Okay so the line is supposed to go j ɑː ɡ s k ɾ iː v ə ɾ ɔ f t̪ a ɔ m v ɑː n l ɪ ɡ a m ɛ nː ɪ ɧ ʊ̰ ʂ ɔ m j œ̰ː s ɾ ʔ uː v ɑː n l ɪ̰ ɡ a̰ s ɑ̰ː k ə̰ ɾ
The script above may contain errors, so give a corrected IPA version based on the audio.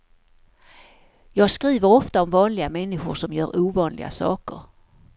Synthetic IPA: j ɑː ɡ s k ɾ iː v ə ɾ ɔ f t̪ a ɔ m v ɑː n l ɪ ɡ a m ɛ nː ɪ ɧ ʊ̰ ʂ ɔ m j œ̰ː ɾ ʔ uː v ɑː n l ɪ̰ ɡ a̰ s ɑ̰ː k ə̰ ɾ